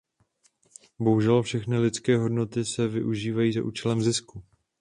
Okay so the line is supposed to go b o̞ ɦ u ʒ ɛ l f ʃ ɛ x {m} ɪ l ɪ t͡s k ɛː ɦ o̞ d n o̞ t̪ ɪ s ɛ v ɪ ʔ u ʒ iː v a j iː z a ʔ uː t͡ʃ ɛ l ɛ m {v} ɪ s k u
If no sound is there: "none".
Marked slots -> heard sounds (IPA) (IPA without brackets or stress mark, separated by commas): n, z